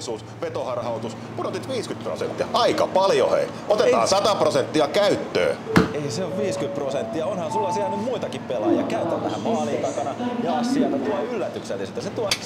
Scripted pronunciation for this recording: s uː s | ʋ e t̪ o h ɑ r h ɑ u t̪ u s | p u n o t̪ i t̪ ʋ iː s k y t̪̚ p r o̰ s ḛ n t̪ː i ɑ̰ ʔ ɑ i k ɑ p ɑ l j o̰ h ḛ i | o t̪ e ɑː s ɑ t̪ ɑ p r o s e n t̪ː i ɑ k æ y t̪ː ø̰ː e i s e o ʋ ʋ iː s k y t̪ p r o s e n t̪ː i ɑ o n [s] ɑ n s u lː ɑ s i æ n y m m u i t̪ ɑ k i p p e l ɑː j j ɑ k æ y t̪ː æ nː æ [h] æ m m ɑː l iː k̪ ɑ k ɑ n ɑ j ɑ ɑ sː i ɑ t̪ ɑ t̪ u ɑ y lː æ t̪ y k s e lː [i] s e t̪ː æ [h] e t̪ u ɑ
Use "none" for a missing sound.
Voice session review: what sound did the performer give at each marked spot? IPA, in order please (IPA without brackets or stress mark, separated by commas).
h, h, i, s